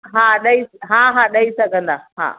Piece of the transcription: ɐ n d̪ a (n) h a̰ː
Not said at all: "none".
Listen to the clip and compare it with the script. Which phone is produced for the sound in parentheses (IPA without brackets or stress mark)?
none